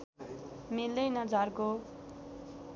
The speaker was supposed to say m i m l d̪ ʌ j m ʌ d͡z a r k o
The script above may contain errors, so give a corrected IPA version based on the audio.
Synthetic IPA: m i l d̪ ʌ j n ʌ d͡z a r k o